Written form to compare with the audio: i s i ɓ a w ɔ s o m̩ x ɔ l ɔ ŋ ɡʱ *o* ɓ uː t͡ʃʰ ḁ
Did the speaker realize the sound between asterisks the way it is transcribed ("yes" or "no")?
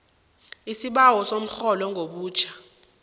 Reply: yes